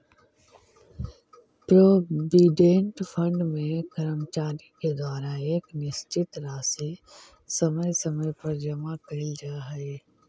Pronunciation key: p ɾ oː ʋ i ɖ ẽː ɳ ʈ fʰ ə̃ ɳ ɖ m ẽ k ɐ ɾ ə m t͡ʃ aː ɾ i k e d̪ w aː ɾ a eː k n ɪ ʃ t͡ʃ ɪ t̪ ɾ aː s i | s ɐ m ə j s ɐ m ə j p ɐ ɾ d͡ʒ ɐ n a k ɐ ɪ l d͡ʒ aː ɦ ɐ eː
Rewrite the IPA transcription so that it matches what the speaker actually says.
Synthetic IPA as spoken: p ɾ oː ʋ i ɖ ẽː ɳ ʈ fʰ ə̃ ɳ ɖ m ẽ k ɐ ɾ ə m t͡ʃ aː ɾ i k e d̪ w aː ɾ a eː k n ɪ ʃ t͡ʃ ɪ t̪ ɾ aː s i | s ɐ m ə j s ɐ m ə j p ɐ ɾ d͡ʒ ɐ m a k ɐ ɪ l d͡ʒ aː ɦ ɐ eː